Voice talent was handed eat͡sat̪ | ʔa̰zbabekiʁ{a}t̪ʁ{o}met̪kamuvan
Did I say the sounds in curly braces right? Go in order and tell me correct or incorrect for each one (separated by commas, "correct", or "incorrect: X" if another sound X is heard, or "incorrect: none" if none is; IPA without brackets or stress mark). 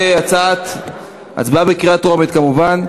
correct, correct